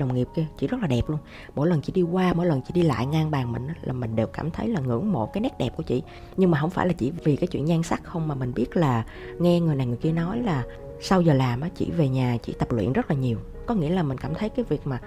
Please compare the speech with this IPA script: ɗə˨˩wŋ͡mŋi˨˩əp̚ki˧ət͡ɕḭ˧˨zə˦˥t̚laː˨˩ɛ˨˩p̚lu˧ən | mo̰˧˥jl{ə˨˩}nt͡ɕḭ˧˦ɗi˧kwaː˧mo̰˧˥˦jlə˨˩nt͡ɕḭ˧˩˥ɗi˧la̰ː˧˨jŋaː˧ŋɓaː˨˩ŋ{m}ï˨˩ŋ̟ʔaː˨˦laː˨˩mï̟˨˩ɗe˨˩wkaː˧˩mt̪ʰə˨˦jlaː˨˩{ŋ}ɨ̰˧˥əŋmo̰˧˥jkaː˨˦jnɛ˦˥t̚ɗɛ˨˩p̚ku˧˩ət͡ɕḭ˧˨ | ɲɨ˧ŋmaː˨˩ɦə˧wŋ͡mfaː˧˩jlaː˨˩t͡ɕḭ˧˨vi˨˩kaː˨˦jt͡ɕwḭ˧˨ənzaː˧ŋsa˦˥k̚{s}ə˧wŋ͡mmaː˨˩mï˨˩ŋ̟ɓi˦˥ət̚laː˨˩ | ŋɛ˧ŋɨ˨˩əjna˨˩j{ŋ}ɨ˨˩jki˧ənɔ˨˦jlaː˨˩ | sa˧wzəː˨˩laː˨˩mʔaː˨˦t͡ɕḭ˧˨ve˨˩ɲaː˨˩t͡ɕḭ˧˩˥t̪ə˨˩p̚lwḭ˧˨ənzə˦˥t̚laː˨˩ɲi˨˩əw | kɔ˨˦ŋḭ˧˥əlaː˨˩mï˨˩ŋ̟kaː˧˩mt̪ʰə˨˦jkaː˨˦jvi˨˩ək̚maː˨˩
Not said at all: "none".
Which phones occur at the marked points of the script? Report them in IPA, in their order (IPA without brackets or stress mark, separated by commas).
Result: ə˨˩, m, ŋ, x, ŋ